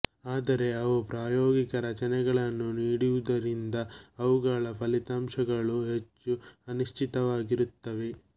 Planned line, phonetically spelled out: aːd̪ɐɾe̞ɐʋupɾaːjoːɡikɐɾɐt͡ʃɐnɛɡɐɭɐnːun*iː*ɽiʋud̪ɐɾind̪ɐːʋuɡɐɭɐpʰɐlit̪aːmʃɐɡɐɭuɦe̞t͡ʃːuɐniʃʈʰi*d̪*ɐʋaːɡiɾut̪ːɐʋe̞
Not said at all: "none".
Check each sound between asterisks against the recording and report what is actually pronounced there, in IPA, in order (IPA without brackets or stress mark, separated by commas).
iː, t̪